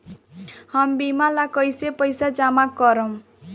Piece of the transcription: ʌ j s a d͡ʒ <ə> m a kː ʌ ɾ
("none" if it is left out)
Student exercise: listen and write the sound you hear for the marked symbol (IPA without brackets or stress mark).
a